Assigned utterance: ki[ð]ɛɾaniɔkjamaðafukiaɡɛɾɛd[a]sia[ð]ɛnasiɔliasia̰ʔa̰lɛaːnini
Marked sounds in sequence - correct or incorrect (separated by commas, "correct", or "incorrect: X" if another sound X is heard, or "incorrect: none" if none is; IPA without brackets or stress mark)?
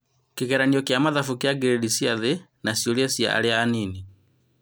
incorrect: ɣ, incorrect: i, correct